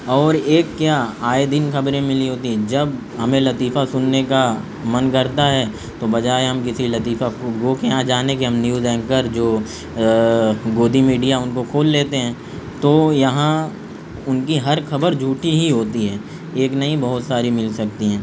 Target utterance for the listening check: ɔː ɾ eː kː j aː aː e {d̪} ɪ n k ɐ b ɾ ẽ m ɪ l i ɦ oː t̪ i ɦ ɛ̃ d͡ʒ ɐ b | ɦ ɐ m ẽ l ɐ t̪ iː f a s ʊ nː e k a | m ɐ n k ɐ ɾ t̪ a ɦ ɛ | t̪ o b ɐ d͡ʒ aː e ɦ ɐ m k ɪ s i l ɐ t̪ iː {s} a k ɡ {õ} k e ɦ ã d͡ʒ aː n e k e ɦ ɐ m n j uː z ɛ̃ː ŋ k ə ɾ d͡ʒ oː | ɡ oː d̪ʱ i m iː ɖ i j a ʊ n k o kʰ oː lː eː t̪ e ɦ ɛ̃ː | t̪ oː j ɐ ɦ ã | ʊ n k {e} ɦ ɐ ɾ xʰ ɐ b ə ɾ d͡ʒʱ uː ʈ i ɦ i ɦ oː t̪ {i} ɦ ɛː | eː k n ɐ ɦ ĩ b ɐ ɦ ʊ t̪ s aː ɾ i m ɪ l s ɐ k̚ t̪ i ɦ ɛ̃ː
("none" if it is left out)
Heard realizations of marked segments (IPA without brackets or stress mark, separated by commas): d̪, f, o, i, i